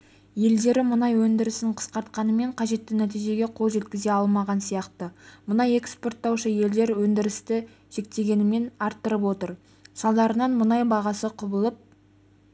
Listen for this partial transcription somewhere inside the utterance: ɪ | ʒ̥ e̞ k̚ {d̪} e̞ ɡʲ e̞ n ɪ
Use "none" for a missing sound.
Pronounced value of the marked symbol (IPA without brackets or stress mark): t̪